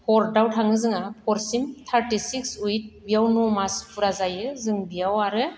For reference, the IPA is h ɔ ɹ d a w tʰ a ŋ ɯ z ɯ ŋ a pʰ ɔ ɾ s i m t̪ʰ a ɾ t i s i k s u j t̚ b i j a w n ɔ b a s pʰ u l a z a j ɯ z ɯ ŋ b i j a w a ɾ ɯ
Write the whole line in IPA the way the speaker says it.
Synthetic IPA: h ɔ ɾ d a w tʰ a ŋ ɯ z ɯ ŋ a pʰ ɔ ɾ s i m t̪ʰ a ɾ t i s i k s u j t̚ b i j a w n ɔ m a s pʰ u ɾ a z a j ɯ z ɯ ŋ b i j a w a ɾ ɯ